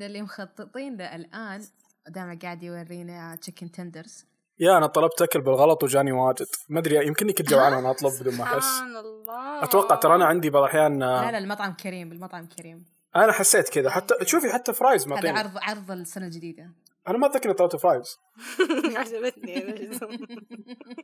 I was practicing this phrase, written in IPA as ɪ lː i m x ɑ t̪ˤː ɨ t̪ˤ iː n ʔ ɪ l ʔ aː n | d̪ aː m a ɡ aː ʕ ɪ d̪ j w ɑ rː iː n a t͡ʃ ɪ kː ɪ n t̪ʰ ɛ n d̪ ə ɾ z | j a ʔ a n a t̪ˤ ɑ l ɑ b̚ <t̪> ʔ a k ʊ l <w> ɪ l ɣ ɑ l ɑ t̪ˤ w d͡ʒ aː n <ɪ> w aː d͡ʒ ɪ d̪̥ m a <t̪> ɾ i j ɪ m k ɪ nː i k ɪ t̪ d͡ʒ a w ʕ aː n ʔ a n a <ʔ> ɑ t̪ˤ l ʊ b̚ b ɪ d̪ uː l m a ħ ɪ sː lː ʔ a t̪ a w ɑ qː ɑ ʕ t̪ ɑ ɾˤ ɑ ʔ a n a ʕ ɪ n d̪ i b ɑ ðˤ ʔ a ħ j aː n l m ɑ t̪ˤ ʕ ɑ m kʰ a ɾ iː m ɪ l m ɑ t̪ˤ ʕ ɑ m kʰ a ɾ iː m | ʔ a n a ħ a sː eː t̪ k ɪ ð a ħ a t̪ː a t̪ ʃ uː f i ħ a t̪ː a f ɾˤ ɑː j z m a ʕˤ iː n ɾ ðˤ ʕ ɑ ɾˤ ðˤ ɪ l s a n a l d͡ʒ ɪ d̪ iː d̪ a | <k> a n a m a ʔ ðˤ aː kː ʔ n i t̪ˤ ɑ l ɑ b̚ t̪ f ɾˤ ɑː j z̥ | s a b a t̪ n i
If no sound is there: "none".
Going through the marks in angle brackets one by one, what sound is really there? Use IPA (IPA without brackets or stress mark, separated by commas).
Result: t̪, b, i, d̪, ʔ, ʔ